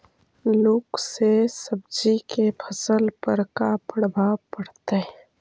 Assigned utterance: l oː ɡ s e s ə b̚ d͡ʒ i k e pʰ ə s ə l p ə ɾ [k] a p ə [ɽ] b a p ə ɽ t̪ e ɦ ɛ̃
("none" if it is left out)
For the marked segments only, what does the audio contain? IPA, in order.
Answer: k, ɽ

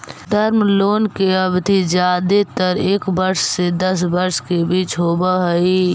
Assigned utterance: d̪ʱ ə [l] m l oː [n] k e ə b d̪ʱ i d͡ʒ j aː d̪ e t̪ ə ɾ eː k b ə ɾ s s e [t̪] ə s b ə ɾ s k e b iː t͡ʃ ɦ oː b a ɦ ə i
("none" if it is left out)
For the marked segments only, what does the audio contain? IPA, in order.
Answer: ɾ, n, d̪

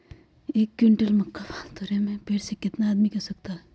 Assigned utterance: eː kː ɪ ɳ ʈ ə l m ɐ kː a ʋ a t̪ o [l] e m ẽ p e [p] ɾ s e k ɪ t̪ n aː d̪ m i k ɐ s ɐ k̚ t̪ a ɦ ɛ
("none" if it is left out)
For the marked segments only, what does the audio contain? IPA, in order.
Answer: ɾ, none

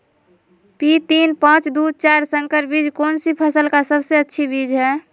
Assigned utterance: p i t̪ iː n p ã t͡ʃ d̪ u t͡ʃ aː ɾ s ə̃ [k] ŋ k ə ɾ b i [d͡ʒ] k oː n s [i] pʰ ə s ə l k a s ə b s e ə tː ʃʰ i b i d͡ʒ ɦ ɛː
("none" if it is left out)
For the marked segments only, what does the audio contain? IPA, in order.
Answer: none, d͡ʒ, i

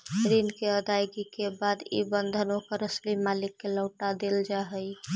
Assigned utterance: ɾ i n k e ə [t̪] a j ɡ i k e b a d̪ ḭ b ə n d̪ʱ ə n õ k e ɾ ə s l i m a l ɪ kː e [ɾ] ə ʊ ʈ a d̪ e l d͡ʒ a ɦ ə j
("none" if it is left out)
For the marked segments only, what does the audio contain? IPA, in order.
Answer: d̪, l

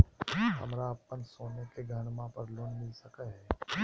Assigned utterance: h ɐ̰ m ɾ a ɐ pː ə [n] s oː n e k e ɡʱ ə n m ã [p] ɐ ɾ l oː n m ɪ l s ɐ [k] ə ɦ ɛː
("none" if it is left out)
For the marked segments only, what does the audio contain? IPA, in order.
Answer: n, p, k

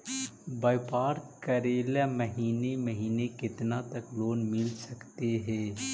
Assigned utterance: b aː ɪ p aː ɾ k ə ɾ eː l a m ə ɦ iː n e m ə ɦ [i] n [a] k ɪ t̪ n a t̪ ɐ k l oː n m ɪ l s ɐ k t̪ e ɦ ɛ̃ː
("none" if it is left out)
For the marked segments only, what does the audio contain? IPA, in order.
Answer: iː, e

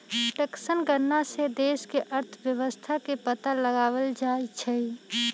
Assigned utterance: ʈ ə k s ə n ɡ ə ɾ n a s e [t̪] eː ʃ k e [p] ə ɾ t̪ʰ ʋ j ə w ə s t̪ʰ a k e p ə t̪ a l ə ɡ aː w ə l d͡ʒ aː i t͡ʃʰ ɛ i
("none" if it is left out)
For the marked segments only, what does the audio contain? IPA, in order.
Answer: d̪, ʔ

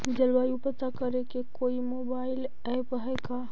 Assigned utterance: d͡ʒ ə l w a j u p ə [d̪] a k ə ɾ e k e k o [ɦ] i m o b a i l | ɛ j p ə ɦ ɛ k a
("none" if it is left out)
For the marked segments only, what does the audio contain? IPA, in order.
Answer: t̪, none

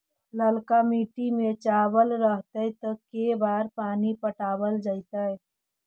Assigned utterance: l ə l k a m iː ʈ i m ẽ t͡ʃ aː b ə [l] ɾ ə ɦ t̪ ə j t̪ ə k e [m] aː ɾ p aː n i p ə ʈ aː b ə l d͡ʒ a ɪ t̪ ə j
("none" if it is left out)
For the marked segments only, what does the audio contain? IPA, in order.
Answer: l, b

